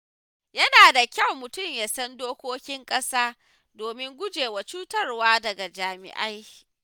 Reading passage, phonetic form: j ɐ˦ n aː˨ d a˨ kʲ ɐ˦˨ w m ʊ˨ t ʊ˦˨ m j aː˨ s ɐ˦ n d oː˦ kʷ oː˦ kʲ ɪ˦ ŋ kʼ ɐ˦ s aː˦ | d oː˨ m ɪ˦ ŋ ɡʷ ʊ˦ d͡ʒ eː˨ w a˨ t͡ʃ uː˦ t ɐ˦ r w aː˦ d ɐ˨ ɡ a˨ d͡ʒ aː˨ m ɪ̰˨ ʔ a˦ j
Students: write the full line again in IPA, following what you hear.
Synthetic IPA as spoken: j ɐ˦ n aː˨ d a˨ kʲ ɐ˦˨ w m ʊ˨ t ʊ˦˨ m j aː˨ s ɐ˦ n d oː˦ kʷ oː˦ kʲ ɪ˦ ŋ kʼ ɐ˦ s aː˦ | d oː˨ m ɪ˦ ŋ ɡʷ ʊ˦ d͡ʒ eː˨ w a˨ t͡ʃ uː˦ t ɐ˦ r w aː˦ d ɐ˨ ɡ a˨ d͡ʒ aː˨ m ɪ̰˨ ʔ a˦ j